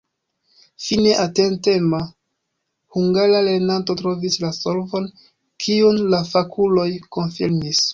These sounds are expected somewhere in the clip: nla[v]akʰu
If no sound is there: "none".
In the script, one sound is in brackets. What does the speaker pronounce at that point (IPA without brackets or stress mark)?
f